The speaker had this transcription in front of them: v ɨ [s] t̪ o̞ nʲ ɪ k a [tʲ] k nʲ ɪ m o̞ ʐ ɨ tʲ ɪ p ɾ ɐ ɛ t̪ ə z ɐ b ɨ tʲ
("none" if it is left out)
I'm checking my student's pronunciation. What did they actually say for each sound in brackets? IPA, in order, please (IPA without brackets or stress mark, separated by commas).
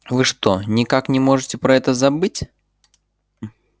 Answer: ʂ, none